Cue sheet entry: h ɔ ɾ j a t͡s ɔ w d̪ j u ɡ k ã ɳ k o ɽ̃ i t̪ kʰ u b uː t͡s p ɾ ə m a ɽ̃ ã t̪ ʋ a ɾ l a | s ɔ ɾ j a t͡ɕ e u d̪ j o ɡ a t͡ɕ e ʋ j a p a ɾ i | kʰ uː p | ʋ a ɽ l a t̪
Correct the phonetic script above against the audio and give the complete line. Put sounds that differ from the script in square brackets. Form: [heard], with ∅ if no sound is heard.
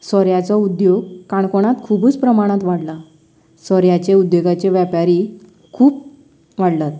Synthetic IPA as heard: [s] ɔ ɾ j a t͡s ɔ [u] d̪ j [o] ɡ k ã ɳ k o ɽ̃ [a] t̪ kʰ u b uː t͡s p ɾ ə m a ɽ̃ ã t̪ ʋ a [ɽ] l a | s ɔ ɾ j a t͡ɕ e u d̪ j o ɡ a t͡ɕ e ʋ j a p a ɾ i | kʰ uː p | ʋ a ɽ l a t̪